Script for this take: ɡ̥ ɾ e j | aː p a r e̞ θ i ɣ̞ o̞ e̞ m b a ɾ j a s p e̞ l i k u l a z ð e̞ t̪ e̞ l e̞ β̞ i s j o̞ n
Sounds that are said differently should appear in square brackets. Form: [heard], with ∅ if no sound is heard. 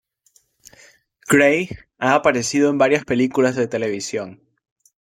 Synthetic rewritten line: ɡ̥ ɾ e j | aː p a [ɾ] e̞ [s] i [ð̞] o̞ e̞ m b a ɾ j a s p e̞ l i k u l a z ð e̞ t̪ e̞ l e̞ β̞ i s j o̞ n